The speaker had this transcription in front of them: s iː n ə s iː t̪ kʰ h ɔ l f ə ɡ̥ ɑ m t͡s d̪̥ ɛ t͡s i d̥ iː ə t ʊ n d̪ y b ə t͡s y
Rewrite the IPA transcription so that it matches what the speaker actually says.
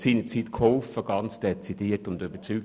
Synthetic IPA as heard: s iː n ə t͡s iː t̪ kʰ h ɔ l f ə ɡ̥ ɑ n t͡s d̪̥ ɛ t͡s i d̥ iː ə t ʊ n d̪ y b ə t͡s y

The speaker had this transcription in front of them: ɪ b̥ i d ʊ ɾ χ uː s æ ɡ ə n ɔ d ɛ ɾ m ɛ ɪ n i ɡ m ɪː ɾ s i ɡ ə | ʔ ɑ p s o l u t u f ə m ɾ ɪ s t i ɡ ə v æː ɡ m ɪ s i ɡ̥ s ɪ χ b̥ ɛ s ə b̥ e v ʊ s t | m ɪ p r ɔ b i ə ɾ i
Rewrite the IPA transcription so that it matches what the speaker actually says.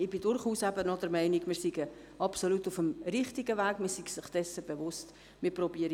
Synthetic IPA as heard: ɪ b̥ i d ʊ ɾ χ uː s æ b ə n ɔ d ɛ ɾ m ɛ ɪ n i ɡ m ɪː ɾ s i ɡ ə | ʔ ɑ p s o l u t u f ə m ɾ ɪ χ t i ɡ ə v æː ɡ m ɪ s i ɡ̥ s ɪ χ d̥ ɛ s ə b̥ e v ʊ s t | m ɪ p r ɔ b i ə ɾ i

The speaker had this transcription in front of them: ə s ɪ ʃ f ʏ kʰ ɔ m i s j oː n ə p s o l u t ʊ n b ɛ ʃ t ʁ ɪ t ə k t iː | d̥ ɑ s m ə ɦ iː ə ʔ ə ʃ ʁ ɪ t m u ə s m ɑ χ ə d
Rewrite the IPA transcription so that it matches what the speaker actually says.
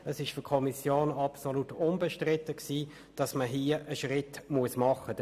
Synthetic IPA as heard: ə s ɪ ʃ f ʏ kʰ ɔ m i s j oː n ɑ p s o l u t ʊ n b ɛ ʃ t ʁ ɪ t ə k s iː | d̥ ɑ s m ə ɦ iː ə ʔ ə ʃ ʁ ɪ t m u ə s m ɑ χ ə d

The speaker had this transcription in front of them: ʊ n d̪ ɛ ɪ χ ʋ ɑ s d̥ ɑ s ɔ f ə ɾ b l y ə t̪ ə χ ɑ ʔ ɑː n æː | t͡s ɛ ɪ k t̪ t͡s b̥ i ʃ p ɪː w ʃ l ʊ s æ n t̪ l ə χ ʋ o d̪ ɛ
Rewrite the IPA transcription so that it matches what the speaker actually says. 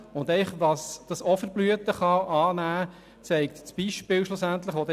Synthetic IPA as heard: ʊ n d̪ ɛ ɪ χ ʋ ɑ s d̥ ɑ s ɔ f ə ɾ b l y ə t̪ ə χ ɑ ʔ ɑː n æː | t͡s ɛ ɪ k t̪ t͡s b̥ i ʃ p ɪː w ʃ l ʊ s æ n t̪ l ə χ ʋ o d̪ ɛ

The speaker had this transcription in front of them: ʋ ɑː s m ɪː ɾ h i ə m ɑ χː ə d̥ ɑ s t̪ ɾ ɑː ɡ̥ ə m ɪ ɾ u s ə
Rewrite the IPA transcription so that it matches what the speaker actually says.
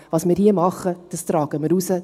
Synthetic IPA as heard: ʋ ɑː s m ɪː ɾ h i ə m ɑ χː ə d̥ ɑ s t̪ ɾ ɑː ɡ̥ ə m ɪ ɾ u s ə

